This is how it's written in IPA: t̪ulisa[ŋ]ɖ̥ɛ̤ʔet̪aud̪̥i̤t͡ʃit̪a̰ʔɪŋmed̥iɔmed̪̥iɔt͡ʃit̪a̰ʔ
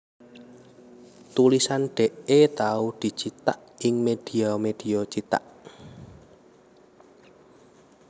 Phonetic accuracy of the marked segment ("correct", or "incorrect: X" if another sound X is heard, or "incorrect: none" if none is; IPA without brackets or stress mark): incorrect: n